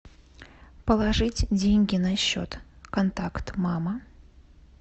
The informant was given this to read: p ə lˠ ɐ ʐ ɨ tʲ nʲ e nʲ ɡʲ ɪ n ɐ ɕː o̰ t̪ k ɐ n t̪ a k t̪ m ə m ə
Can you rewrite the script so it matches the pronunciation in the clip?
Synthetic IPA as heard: p ə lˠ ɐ ʐ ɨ tʲ dʲ e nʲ ɡʲ ɪ n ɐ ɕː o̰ t̪ k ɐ n t̪ a k t̪ m a m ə